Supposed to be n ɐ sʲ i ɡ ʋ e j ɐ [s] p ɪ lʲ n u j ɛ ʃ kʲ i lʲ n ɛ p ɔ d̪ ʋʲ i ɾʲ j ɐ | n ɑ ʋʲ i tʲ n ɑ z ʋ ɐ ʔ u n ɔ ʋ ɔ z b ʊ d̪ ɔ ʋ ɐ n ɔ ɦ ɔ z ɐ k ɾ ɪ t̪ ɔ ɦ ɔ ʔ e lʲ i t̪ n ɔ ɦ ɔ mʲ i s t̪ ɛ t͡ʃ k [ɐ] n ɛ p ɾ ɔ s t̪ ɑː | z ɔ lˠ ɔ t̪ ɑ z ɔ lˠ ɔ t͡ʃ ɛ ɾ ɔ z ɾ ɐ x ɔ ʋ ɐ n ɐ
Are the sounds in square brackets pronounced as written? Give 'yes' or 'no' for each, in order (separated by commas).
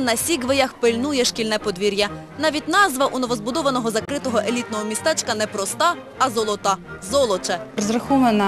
no, yes